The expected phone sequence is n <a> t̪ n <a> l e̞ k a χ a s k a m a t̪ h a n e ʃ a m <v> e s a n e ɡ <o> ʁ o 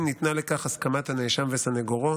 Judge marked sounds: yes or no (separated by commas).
no, yes, yes, yes